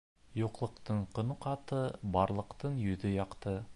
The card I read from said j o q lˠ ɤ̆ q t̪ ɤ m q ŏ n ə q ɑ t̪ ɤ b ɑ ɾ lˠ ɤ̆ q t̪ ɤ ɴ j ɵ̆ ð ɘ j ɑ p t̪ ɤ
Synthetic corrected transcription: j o q lˠ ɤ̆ q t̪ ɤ ɴ q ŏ n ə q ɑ t̪ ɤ b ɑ ɾ lˠ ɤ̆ q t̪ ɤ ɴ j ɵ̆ ð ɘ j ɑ q t̪ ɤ